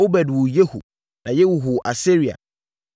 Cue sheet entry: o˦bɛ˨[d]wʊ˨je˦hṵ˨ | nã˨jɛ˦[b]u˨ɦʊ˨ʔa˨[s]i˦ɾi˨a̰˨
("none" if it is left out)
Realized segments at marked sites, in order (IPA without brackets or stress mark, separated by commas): d, w, s